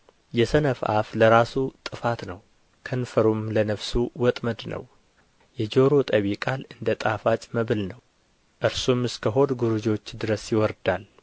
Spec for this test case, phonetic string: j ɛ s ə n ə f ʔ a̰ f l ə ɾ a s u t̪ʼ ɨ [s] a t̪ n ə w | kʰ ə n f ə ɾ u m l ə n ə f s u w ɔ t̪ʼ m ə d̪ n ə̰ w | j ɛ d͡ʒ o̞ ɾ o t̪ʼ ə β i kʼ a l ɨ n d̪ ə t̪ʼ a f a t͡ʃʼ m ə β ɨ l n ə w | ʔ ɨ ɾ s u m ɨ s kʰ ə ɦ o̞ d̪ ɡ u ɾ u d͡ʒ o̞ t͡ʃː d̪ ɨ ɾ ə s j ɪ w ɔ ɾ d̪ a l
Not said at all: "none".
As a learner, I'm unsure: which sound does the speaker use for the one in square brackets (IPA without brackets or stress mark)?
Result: f